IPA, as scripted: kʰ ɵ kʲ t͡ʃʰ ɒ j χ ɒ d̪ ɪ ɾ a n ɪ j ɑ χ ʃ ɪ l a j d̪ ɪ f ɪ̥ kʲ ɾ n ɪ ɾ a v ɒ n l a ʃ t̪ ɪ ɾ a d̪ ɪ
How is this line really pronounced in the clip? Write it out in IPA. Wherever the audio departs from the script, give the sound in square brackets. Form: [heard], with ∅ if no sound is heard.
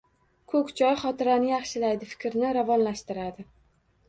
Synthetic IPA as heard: kʰ ɵ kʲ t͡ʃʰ ɒ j χ ɒ [t̪] ɪ ɾ a n ɪ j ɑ χ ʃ ɪ l a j d̪ ɪ f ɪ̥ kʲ ɾ n ɪ ɾ a v ɒ n l a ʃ t̪ ɪ ɾ a d̪ ɪ